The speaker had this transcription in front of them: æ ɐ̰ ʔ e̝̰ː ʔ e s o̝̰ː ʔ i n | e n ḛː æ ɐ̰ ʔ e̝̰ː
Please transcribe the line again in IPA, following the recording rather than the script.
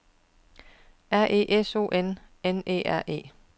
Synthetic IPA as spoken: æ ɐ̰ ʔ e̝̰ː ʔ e s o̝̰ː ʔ e n | e n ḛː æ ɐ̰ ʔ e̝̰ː